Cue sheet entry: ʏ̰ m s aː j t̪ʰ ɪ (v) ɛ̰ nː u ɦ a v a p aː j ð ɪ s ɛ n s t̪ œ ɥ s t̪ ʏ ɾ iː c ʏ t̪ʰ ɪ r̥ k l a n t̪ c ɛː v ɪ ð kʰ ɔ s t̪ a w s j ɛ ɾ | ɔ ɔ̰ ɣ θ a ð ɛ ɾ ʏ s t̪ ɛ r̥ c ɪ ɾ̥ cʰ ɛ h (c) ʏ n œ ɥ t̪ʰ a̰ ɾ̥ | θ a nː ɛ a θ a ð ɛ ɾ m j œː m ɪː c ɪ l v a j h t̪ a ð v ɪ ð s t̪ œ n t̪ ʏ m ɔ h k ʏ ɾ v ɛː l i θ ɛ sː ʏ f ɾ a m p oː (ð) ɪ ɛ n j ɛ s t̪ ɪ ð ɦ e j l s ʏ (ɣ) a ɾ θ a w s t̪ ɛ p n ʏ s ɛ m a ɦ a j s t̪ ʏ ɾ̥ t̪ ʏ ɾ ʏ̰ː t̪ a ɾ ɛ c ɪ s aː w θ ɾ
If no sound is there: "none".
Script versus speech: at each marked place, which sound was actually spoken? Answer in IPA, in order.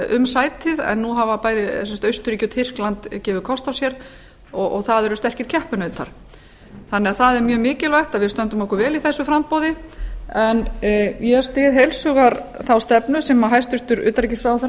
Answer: ð, p, ð, ɣ

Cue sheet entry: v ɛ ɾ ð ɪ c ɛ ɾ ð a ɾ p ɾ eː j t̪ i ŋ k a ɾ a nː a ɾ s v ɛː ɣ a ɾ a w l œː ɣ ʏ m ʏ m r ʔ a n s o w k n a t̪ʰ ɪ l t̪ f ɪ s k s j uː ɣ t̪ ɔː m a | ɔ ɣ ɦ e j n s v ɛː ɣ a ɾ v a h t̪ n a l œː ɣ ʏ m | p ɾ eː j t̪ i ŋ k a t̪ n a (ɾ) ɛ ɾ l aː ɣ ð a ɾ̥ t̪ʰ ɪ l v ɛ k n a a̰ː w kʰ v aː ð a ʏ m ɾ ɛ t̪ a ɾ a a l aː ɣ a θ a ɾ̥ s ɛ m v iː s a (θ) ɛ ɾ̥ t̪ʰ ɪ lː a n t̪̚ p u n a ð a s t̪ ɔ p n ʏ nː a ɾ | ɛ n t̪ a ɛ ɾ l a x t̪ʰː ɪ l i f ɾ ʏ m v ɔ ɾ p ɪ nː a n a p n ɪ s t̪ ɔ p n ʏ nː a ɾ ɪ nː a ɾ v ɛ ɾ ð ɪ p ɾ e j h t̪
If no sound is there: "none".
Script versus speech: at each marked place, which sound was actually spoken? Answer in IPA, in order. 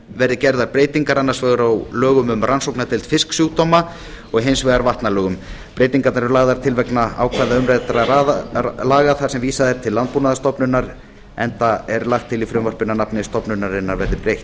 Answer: ɾ, ð

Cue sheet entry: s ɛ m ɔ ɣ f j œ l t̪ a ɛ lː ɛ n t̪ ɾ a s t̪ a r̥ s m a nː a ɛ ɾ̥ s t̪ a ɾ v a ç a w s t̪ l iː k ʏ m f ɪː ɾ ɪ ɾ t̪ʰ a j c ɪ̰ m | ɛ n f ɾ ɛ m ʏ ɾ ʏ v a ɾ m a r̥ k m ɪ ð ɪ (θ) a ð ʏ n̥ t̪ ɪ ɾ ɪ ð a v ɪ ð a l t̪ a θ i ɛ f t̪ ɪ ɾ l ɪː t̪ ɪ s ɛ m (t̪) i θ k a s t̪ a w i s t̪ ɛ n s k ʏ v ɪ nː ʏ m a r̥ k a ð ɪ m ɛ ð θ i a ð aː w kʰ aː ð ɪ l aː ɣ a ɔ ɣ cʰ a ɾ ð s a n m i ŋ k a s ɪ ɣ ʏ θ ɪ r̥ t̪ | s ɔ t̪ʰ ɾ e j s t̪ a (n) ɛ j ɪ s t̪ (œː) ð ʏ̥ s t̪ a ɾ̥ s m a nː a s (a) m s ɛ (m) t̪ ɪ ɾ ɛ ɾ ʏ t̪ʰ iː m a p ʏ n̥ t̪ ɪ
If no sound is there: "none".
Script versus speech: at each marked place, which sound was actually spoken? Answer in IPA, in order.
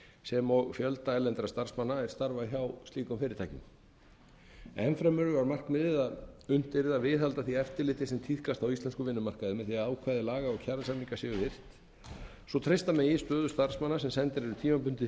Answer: ð, t̪ʰ, m, œː, ɛ, n

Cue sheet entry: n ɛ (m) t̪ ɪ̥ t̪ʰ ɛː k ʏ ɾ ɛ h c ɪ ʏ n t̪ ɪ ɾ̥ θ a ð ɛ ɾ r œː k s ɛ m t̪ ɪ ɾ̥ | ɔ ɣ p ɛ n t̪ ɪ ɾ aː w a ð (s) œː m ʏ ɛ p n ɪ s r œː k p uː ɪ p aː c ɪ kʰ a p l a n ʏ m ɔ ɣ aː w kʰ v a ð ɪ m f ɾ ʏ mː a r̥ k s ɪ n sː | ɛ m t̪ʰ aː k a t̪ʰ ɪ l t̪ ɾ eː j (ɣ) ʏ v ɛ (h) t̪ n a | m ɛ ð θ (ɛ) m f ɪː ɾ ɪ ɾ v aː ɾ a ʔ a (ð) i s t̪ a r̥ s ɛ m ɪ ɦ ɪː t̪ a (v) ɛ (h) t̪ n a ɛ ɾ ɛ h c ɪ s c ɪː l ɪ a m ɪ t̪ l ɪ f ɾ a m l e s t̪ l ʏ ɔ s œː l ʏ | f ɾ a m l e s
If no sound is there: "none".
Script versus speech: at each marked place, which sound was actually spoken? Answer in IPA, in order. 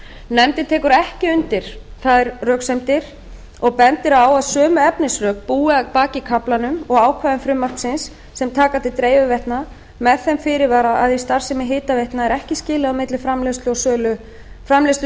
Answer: m, s, v, h, ɛ, ð, v, h

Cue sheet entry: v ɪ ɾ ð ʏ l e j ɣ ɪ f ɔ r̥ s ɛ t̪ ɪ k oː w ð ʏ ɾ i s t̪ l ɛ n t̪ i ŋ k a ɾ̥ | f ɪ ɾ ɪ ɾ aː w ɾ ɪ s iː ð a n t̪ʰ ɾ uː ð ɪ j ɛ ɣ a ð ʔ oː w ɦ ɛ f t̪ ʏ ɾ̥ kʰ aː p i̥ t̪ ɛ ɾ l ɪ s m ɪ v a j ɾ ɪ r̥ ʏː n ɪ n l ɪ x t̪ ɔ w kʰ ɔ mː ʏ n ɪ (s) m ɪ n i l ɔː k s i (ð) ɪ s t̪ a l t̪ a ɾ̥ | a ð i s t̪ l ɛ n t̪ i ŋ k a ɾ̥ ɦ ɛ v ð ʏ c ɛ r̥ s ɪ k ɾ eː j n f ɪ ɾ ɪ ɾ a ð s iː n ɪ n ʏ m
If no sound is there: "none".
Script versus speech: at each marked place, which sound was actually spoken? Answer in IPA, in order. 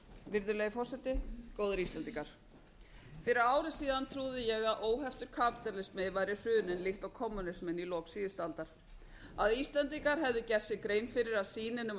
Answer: s, ð

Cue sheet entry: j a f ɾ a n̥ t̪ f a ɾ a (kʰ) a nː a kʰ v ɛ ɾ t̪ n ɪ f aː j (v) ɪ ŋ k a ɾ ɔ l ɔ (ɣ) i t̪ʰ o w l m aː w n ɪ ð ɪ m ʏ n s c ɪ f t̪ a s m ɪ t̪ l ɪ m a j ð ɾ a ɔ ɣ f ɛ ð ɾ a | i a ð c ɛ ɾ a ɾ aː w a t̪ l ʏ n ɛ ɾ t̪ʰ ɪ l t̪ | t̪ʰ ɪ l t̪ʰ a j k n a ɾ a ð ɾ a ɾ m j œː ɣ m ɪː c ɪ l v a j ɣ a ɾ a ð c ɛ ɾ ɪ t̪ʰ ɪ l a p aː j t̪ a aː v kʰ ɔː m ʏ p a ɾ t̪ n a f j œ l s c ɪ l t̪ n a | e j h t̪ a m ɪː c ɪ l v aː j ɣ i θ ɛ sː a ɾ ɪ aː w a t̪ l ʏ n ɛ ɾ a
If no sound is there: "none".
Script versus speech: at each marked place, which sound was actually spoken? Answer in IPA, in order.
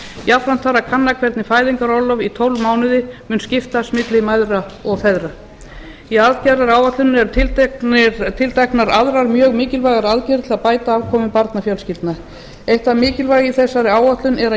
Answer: kʰ, ð, v

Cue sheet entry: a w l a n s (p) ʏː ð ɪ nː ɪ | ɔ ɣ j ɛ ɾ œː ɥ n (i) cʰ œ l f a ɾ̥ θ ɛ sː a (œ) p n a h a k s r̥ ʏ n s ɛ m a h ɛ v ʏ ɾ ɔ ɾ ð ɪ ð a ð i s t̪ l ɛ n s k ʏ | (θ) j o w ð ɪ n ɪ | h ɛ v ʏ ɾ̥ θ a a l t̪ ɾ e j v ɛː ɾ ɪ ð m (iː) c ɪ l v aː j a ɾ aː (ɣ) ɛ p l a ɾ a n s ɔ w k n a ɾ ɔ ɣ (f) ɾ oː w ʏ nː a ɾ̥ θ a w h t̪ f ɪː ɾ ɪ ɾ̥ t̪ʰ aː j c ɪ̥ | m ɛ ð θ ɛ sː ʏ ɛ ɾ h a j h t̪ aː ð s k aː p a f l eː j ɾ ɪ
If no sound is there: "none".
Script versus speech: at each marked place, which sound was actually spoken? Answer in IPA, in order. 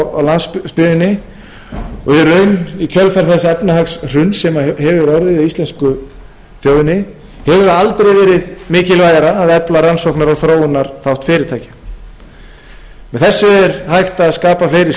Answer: p, i, ɛ, θ, ɪː, ð, θ

